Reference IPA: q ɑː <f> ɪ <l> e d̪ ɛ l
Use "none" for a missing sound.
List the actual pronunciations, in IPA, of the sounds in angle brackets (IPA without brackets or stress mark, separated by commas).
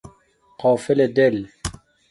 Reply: f, l